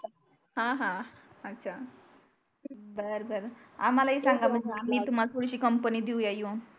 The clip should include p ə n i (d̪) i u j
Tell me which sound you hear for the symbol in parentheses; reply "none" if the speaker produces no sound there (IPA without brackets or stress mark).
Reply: d̪